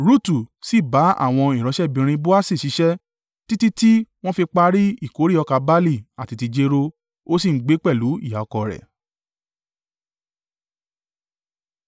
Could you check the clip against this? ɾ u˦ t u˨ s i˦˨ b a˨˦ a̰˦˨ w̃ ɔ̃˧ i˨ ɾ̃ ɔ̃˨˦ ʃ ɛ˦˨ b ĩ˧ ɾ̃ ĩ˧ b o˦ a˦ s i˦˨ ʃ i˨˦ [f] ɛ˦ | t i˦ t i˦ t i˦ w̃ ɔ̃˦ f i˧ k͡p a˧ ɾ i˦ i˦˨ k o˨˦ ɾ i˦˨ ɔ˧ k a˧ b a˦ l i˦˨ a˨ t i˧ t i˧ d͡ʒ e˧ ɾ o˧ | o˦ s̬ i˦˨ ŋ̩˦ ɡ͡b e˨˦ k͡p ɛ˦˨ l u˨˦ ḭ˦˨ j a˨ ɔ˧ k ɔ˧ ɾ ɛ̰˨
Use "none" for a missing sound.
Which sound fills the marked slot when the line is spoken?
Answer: ʃ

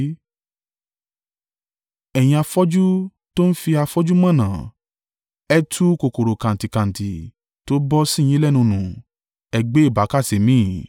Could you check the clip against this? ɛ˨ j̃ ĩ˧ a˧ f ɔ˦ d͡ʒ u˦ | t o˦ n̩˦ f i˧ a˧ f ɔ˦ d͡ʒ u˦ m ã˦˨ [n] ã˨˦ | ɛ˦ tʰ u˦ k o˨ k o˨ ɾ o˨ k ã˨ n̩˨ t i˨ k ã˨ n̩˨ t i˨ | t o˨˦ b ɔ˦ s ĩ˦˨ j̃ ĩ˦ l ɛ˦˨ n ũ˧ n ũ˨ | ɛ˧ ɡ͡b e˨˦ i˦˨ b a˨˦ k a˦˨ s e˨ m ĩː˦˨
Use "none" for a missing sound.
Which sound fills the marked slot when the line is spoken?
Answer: n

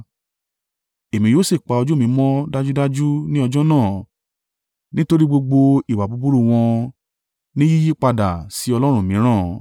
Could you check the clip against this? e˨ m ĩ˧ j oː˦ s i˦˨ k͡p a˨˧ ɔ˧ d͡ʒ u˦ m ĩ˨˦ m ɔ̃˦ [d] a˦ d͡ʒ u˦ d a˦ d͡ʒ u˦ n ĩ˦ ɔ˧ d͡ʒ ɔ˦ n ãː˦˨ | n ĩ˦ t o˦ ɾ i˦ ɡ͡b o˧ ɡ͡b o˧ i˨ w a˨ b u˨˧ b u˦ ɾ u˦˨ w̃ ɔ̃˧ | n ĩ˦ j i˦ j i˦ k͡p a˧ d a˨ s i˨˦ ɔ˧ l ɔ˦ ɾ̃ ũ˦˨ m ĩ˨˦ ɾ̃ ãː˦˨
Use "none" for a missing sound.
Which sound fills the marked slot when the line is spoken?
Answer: d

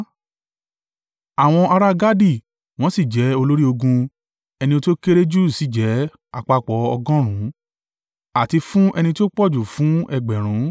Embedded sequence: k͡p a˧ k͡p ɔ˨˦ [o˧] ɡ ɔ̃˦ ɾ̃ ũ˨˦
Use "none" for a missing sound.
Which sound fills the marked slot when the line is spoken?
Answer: ɔ˧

